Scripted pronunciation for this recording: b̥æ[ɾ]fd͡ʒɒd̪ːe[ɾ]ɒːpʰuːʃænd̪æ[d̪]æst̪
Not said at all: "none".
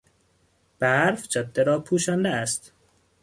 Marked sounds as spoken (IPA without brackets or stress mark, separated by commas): ɾ, ɾ, none